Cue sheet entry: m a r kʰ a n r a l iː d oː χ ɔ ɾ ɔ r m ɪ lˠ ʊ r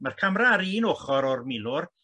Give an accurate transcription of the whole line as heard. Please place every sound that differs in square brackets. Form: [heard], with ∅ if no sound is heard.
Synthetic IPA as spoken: m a r kʰ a [m] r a [ɾ] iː [n] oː χ ɔ ɾ ɔ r m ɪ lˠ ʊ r